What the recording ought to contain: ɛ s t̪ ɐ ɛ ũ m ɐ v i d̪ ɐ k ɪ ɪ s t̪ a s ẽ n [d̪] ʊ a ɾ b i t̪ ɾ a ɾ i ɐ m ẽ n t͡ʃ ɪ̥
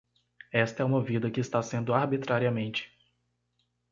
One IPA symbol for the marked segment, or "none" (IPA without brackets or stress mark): d̪